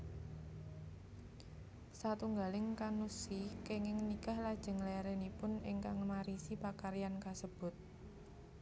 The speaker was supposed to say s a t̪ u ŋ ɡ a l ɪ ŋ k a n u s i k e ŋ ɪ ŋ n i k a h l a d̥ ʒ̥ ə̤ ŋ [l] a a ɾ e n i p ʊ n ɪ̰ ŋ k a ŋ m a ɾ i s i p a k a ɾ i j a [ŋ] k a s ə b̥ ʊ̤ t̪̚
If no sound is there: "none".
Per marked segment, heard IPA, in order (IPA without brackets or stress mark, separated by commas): l, n